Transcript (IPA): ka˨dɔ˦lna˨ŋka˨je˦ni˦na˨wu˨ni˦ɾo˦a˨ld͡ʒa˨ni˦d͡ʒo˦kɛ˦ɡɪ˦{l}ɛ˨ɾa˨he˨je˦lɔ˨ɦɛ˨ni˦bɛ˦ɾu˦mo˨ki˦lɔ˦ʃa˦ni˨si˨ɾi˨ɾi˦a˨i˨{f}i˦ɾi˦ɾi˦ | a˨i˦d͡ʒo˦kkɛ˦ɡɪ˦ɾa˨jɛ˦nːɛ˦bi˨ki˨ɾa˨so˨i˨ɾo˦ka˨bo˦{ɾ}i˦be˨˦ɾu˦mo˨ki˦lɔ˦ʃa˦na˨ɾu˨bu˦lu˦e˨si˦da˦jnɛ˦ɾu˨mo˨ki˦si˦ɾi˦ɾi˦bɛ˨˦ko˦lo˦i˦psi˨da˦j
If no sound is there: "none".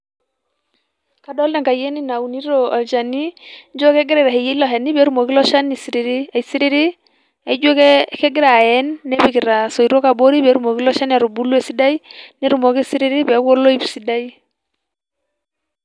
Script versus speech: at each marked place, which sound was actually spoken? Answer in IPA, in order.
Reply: ɾ, s, ɾ

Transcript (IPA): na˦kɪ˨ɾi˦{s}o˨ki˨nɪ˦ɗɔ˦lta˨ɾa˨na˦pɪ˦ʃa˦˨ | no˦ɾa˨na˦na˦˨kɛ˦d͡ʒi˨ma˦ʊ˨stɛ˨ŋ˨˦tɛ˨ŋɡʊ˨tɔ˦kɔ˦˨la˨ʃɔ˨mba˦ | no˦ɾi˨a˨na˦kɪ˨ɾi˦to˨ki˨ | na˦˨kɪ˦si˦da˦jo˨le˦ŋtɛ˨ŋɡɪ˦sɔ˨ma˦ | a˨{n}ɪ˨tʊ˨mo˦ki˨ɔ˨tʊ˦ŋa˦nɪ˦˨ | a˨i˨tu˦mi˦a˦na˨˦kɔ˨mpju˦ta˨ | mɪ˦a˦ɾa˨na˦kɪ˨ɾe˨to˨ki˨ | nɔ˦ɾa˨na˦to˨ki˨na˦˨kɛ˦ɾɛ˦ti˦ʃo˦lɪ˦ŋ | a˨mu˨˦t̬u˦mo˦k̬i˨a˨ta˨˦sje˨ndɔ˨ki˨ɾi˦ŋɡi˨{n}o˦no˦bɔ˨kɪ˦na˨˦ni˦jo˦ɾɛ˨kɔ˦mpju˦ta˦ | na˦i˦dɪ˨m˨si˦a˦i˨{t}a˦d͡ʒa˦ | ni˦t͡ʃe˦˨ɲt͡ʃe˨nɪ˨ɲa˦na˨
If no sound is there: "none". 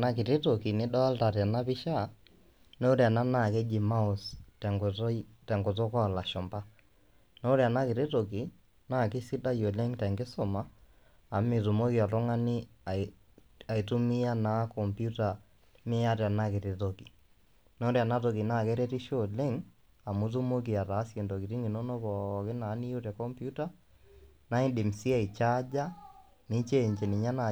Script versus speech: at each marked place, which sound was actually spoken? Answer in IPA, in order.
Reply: t, m, n, t͡ʃ

